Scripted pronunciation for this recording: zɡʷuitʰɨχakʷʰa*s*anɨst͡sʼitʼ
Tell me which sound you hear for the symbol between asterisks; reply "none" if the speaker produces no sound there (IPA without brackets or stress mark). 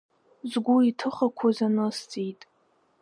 z